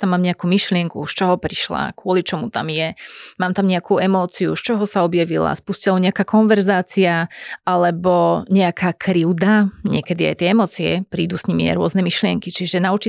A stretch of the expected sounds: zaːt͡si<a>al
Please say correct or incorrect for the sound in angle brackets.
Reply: correct